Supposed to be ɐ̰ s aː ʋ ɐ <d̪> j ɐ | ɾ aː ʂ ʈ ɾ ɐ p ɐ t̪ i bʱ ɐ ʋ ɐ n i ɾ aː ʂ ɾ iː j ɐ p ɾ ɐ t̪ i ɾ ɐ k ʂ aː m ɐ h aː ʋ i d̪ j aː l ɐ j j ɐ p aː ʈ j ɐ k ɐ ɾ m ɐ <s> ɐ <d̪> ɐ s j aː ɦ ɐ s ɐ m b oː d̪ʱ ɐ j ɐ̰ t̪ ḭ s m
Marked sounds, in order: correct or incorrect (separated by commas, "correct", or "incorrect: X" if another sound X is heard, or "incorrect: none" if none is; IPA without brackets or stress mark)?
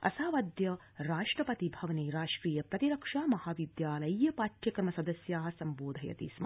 correct, correct, correct